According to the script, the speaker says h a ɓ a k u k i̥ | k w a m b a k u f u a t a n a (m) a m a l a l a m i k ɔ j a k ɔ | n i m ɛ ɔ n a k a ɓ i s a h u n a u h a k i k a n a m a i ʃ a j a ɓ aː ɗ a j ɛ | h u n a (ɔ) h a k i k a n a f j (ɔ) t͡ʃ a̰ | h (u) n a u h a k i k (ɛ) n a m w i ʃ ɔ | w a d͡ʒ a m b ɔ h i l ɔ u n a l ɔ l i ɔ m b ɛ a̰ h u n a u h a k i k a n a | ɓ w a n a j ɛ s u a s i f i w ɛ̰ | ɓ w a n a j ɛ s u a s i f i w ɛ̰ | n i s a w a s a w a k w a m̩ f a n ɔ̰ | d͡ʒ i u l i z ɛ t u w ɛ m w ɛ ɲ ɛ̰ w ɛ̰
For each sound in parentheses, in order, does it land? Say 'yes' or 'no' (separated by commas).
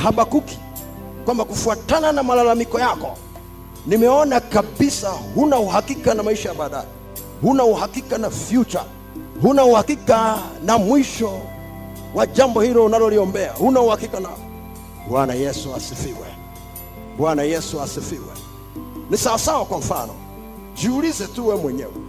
no, no, no, yes, no